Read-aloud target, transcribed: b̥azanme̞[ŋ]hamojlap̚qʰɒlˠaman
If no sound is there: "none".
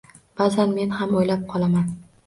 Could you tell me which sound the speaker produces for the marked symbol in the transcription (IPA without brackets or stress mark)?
n